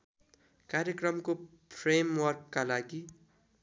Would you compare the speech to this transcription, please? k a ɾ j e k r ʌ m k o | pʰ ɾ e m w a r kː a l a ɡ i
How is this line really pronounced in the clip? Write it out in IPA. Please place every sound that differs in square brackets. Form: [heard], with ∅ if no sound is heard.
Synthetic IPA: k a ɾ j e k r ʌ m k o | pʰ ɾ e m w [ʌ] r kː a l a ɡ i